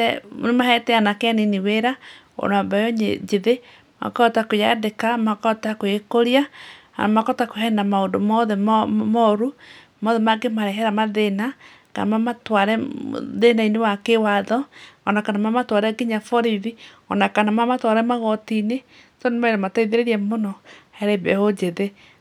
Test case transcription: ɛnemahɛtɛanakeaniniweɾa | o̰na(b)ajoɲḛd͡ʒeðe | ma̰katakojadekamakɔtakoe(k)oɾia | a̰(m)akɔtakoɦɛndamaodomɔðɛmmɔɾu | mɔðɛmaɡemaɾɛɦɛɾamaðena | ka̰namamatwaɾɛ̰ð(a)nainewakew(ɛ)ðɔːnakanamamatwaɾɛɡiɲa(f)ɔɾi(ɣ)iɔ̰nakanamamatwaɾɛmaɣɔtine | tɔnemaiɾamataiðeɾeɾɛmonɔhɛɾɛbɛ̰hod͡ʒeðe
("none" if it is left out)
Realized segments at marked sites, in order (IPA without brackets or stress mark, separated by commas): b, k, m, e, a, f, ð